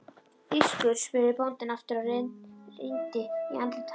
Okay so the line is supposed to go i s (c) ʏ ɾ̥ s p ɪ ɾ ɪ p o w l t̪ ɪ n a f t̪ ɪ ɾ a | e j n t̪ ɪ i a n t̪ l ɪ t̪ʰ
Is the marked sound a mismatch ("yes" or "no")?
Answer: yes